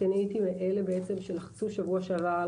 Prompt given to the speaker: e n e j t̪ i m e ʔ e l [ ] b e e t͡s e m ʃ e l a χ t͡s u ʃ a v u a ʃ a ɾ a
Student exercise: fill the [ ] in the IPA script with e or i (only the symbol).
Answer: e